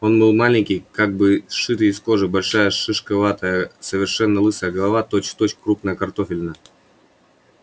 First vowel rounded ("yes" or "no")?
yes